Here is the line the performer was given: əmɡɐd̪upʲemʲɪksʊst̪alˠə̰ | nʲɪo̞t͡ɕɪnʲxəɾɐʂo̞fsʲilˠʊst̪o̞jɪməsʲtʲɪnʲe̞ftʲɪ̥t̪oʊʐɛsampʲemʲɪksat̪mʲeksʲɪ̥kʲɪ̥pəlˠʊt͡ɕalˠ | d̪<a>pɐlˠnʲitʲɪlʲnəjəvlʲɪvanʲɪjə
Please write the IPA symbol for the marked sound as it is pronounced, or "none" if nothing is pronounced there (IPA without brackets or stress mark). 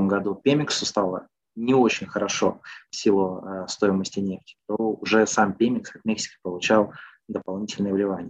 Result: ə